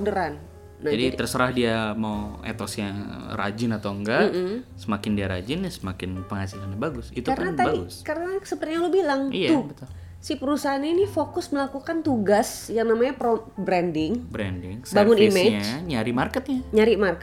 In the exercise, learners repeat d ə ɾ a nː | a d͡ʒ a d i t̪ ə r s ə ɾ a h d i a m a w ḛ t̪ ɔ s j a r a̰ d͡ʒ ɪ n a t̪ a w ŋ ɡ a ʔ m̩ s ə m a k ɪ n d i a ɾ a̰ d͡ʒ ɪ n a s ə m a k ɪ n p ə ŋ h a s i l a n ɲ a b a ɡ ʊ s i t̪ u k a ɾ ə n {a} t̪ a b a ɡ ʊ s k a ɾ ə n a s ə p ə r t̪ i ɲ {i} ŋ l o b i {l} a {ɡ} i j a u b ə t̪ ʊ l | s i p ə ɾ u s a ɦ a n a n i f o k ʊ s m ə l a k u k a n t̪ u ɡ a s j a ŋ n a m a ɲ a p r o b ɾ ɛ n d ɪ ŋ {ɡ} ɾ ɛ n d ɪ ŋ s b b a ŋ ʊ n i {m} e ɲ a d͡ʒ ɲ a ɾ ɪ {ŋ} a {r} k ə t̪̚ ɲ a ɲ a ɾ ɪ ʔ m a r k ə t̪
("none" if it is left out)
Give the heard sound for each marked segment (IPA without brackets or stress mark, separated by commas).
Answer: a, a, l, ŋ, b, m, m, r